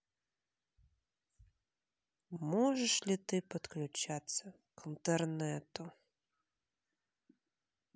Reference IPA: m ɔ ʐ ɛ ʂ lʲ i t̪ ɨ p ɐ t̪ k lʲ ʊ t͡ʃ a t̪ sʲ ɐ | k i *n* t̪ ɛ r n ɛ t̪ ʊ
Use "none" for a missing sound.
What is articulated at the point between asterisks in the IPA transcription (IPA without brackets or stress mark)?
n